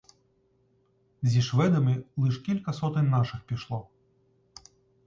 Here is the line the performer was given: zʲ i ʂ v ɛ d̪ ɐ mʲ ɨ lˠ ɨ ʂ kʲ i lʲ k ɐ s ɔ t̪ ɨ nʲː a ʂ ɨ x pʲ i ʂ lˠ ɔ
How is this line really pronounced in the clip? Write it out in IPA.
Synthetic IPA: zʲ i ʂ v ɛ d̪ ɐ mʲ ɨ lˠ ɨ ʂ kʲ i lʲ k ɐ s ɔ t̪ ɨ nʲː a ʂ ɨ x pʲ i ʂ lˠ ɔ

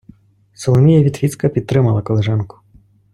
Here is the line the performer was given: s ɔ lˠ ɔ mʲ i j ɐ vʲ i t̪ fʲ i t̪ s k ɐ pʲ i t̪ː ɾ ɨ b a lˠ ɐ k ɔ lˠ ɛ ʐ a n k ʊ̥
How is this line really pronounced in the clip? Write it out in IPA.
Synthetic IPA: s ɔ lˠ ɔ mʲ i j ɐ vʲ i t̪ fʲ i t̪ s k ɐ pʲ i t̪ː ɾ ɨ m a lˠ ɐ k ɔ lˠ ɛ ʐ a n k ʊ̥

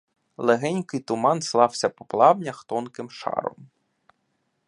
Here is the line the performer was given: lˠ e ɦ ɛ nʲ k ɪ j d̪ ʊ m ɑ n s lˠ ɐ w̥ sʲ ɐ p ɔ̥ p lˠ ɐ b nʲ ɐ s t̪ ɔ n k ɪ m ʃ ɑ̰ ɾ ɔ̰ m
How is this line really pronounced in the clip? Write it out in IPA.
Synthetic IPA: lˠ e ɦ ɛ nʲ k ɪ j t̪ ʊ m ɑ n s lˠ ɑ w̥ sʲ ɐ p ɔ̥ p lˠ ɑ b nʲ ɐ x t̪ ɔ n k ɪ m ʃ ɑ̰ ɾ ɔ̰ m

